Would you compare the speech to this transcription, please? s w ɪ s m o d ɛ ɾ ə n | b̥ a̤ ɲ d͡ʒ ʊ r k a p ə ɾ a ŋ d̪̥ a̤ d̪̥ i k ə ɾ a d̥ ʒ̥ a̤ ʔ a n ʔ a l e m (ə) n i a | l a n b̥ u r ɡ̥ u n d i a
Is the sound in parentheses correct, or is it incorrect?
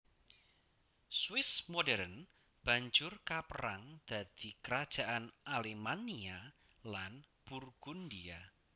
incorrect